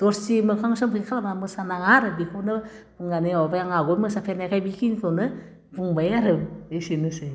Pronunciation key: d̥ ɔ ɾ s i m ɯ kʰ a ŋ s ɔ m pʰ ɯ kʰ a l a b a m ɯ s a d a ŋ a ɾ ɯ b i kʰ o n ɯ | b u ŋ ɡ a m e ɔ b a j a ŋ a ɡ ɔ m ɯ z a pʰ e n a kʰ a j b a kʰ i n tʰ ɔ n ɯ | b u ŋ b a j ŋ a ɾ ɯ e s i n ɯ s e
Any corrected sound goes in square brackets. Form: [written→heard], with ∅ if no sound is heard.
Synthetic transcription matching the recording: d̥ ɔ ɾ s i m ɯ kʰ a ŋ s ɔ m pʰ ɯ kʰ a l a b a m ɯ s a [d→n] a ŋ a ɾ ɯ b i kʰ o n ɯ | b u ŋ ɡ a [m→n] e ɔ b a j a ŋ a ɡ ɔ m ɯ [z→s] a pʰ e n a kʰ a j b [a→i] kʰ i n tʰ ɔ n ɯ | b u ŋ b a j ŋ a ɾ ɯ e s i n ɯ s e